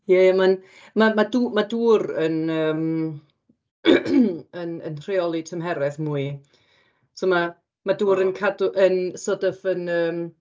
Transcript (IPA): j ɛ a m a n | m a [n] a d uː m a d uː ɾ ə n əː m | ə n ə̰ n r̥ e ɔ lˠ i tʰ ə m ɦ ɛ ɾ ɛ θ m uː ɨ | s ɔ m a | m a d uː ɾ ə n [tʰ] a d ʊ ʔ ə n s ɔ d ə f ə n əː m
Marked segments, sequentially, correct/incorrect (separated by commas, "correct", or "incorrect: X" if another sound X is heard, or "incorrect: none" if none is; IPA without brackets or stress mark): incorrect: m, incorrect: kʰ